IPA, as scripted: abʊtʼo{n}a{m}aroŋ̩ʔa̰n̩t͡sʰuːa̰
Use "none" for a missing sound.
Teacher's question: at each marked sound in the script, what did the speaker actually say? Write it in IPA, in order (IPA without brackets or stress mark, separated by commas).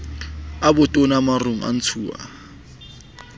n, m